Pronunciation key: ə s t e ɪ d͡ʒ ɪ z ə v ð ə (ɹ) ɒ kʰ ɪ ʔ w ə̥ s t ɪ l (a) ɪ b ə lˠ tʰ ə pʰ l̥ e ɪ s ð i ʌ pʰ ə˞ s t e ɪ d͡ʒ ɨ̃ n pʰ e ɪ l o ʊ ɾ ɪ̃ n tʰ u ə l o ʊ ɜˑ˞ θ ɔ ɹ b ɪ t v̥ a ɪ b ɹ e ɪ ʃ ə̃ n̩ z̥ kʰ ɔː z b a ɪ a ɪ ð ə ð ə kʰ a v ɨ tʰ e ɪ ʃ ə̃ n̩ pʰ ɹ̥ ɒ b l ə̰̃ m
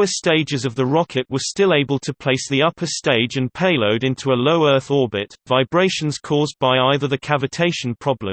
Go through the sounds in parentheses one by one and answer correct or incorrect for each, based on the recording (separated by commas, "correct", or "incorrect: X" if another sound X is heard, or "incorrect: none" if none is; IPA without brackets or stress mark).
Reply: correct, incorrect: e